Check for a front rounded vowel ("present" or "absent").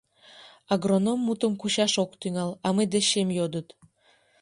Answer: present